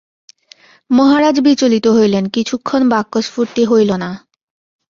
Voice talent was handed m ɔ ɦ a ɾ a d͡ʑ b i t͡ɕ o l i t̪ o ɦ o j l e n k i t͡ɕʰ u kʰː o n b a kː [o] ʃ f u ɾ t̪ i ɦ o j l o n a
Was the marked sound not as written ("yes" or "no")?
no